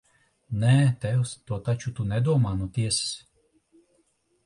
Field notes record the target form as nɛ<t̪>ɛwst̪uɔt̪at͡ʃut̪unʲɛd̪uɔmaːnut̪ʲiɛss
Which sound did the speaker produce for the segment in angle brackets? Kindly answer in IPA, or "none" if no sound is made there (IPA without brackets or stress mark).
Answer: t̪